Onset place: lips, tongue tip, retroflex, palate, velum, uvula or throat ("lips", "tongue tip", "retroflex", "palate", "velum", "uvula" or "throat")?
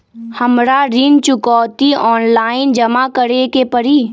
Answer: throat